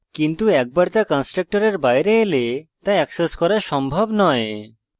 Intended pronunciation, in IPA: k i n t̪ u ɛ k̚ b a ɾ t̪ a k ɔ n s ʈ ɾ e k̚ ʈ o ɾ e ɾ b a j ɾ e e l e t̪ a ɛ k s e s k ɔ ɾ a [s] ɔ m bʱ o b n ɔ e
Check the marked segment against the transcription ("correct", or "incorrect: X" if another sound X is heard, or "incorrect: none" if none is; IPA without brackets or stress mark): incorrect: ʃ